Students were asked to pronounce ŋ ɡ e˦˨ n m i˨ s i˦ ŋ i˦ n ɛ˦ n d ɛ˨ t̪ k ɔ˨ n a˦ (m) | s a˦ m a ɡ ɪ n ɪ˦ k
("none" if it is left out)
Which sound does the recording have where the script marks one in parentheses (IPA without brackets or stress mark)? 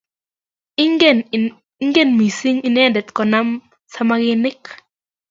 m